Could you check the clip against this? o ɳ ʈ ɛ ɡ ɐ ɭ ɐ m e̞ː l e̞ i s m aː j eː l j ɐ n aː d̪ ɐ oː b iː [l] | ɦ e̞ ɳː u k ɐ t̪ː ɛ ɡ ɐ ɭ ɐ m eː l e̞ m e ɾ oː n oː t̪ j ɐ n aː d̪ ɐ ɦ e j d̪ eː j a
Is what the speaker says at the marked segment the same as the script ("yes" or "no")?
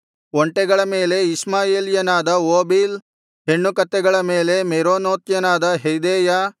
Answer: yes